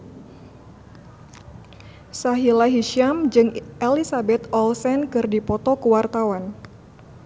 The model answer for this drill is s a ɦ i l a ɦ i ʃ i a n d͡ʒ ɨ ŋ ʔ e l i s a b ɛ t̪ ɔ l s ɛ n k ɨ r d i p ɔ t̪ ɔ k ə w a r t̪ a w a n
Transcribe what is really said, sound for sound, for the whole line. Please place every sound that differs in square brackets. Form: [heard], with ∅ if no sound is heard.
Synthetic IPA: s a ɦ i l a ɦ i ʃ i a [m] d͡ʒ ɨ ŋ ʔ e l i s a b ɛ t̪ ɔ l s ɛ n k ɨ r d i p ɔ t̪ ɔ k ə w a r t̪ a w a n